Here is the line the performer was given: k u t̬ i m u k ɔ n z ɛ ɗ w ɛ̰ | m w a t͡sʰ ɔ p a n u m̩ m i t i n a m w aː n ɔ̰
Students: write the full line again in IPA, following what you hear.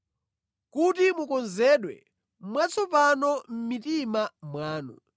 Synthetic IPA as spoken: k u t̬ i m u k ɔ n z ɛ ɗ w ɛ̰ | m w a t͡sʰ ɔ p a n ɔ m̩ m i t i m a m w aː n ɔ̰